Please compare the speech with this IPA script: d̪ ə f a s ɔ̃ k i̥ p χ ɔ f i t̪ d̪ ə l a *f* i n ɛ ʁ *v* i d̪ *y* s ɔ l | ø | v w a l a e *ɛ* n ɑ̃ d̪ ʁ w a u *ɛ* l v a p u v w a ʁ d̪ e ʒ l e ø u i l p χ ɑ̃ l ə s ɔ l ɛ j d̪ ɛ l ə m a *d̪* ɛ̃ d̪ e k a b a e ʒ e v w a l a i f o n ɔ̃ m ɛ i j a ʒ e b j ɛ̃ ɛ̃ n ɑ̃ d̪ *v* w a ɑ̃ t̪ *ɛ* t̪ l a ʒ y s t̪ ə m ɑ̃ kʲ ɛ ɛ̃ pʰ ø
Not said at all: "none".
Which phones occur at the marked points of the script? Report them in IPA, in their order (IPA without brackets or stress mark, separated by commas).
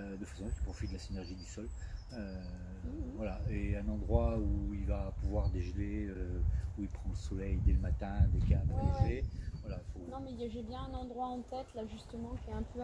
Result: s, ʒ, y, ɛ̃, i, t̪, ʁ, ɛ